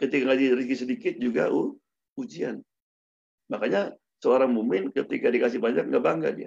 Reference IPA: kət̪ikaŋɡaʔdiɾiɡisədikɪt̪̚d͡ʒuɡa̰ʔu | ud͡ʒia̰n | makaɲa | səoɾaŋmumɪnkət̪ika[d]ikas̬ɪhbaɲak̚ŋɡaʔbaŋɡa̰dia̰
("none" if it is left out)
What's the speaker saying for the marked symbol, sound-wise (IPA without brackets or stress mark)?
d